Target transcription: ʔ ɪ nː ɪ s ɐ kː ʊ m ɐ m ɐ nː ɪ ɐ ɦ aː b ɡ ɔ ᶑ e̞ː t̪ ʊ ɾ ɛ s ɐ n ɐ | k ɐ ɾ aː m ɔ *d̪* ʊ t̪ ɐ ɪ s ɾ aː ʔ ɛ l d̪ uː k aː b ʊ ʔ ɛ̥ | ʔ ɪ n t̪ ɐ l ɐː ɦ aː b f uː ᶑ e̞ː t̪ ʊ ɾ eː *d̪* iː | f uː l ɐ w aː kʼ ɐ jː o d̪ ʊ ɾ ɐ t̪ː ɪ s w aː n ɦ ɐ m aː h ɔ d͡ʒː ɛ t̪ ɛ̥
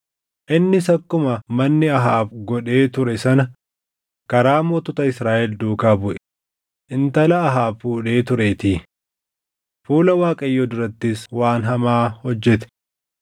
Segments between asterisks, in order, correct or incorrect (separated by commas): incorrect, incorrect